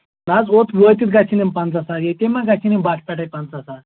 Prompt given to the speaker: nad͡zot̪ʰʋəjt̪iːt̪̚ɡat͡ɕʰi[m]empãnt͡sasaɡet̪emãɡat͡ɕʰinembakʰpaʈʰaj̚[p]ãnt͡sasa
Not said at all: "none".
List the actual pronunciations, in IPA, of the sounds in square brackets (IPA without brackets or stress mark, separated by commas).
n, p